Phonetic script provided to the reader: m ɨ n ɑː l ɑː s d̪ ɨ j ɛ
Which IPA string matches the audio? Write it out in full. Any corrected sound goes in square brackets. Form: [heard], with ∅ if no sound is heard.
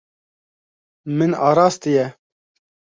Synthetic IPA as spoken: m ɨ n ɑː [ɾ] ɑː s [t̪] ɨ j ɛ